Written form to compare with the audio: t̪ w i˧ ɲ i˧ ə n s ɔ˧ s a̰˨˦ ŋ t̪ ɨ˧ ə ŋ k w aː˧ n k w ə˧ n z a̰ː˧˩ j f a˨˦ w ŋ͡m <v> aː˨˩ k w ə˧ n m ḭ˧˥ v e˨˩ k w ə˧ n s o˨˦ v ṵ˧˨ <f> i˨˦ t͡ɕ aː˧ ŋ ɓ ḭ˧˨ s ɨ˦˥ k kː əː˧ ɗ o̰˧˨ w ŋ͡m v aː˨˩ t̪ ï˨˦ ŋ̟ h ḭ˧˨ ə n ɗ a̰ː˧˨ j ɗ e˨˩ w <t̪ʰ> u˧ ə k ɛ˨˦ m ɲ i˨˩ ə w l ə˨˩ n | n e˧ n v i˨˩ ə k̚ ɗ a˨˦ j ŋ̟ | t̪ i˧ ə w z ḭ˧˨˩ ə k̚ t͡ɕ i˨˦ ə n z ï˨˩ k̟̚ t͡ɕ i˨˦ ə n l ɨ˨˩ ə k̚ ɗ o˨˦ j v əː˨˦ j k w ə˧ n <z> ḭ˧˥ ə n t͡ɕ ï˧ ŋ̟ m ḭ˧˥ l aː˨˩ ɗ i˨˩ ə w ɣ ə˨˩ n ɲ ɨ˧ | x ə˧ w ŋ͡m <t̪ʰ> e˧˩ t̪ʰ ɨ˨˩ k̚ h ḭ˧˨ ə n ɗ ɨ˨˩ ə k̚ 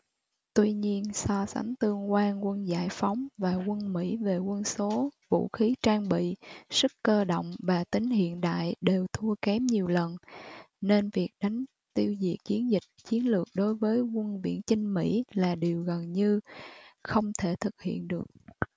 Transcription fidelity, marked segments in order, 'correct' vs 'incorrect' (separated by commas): correct, incorrect, correct, incorrect, correct